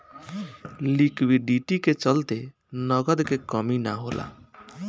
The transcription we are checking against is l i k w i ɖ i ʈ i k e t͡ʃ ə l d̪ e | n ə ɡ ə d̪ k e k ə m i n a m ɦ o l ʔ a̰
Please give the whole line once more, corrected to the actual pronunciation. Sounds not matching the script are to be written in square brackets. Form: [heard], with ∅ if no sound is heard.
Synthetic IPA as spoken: l i k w i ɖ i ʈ i k e t͡ʃ ə l [t̪] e | n ə ɡ ə d̪ k e k ə m i n a [∅] ɦ o l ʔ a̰